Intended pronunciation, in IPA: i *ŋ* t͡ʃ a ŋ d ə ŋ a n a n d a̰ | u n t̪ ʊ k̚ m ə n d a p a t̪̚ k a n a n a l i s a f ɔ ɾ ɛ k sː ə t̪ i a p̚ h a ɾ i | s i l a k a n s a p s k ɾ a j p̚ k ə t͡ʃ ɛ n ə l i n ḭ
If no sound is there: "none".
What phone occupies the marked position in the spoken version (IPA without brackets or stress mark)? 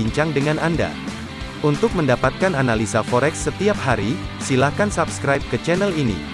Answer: ɲ